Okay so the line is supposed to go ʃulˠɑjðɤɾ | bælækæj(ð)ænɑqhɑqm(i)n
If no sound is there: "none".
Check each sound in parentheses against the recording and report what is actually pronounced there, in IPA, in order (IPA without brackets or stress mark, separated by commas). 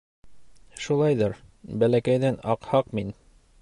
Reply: ð, i